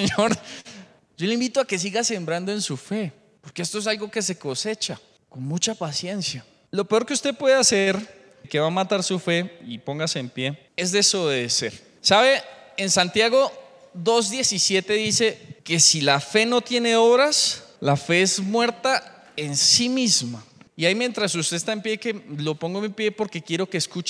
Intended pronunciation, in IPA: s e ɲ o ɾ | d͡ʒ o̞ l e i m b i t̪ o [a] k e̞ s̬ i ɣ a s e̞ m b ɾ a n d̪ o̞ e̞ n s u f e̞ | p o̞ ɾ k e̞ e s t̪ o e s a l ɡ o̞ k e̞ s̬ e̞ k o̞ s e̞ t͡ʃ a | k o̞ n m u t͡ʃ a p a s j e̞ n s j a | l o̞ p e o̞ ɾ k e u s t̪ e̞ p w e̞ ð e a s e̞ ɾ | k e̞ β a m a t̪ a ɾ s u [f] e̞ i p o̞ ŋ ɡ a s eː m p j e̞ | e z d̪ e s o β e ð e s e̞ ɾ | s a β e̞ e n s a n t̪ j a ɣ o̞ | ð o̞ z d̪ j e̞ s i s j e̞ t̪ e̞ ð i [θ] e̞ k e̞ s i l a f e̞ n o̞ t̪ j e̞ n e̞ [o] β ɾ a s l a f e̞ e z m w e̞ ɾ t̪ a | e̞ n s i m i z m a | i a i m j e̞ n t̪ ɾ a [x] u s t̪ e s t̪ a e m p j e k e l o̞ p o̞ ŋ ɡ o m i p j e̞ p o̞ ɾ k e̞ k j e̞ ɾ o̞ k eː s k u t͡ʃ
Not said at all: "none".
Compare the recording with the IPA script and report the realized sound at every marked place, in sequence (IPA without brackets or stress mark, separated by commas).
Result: a, f, s, o, s